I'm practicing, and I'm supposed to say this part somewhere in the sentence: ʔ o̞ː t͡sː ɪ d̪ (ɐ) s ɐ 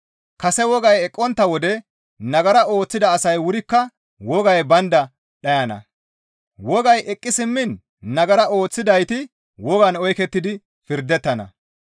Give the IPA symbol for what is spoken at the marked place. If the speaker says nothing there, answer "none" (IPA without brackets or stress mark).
ɐː